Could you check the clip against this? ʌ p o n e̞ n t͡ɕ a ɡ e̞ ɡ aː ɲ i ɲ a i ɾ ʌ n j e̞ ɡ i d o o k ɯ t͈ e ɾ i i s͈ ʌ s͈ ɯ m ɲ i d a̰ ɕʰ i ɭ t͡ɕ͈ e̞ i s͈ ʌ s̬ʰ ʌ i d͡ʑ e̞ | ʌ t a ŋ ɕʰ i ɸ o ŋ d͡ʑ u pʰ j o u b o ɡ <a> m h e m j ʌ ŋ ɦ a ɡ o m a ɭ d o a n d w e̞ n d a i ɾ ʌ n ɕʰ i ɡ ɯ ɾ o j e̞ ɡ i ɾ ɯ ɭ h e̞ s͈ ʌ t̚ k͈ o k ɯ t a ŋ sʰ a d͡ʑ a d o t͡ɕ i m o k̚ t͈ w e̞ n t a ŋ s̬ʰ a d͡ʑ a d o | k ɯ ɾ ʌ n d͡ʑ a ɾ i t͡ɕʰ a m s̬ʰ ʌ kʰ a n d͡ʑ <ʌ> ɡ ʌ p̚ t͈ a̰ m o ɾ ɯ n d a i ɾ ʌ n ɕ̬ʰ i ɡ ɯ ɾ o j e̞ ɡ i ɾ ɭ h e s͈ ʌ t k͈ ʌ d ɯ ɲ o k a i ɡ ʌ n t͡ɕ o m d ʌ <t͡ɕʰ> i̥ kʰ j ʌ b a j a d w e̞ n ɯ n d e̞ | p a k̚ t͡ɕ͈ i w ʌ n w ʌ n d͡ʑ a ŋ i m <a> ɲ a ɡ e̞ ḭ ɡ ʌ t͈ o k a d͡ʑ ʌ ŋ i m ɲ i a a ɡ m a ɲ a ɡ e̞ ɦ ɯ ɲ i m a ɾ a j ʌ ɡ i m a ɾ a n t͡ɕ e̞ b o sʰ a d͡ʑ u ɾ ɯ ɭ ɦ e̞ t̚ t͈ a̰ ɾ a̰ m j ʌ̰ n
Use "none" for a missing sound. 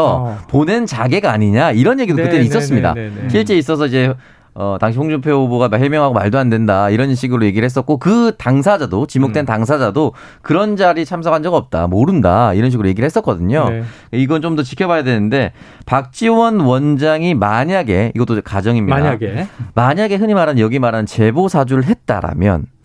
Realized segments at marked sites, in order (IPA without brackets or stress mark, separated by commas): a, ʌ, t͡ɕ, a